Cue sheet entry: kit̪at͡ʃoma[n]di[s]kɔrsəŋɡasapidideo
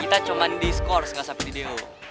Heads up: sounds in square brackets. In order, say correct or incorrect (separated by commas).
correct, correct